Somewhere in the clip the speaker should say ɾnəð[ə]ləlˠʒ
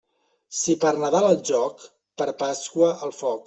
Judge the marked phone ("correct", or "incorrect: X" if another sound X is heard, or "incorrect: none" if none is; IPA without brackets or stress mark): incorrect: a